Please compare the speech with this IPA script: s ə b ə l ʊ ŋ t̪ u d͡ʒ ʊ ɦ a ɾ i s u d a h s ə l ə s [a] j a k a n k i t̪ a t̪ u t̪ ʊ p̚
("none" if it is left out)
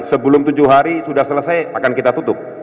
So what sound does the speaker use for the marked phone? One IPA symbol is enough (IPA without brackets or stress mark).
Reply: a